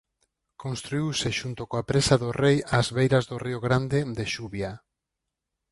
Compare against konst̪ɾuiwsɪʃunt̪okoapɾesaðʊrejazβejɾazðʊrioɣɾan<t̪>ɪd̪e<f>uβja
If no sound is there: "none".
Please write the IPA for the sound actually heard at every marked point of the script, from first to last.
d̪, ʃ

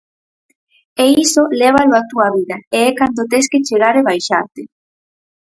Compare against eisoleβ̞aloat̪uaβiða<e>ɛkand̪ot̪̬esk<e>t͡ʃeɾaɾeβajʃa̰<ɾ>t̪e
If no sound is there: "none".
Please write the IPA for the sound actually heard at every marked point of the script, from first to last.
e, e, ɾ

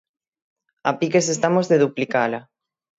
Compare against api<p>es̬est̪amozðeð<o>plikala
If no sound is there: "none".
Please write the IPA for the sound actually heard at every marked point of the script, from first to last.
k, u

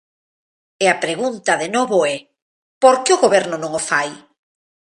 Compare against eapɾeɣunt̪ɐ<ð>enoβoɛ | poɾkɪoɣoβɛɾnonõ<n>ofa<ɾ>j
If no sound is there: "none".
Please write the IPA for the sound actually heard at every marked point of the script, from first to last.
ð, ŋ, none

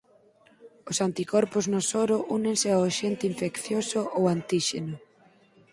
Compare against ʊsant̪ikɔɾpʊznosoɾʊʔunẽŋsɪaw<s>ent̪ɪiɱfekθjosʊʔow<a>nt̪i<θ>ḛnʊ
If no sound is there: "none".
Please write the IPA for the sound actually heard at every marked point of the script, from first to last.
ʃ, a, ʃ

